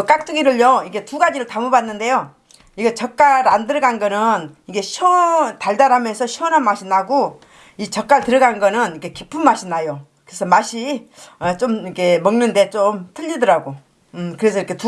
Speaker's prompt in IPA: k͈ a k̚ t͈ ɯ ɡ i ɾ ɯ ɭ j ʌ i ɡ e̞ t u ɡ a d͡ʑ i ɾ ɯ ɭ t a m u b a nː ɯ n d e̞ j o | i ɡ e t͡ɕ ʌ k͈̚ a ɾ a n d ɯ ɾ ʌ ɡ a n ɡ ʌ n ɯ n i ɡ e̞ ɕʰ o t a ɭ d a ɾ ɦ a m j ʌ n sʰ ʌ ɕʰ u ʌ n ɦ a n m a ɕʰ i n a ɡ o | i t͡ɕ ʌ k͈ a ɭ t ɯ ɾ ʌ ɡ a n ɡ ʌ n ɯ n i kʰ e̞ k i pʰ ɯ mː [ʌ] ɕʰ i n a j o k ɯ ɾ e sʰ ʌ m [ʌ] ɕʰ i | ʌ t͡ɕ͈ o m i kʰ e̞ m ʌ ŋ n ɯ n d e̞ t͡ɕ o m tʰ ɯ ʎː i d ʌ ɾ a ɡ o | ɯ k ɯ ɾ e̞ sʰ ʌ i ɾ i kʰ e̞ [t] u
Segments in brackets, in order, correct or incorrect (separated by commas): incorrect, incorrect, correct